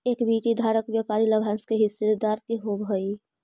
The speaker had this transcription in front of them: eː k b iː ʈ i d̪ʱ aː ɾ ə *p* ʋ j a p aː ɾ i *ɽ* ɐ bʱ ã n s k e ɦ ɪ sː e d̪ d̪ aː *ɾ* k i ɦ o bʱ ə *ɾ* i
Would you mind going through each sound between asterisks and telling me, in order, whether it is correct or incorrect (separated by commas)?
incorrect, incorrect, correct, incorrect